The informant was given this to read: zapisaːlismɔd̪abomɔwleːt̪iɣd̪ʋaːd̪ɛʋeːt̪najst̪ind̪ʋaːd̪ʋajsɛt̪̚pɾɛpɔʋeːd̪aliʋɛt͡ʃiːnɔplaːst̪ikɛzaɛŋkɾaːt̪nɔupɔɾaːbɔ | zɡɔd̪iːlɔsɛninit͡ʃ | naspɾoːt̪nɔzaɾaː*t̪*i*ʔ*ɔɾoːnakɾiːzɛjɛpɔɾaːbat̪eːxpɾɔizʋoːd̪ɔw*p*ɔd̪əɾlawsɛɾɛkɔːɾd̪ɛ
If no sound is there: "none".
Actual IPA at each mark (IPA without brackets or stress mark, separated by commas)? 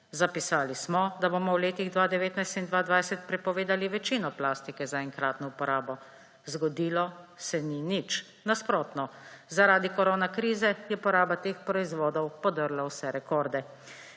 d̪, k, p